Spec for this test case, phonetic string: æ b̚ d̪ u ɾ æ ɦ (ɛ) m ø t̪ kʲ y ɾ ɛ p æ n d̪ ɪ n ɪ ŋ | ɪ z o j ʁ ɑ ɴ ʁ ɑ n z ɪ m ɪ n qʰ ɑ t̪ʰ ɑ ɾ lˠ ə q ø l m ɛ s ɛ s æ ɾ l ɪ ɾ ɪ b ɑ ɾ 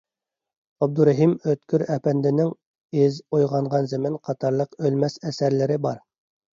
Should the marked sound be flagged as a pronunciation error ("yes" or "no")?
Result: yes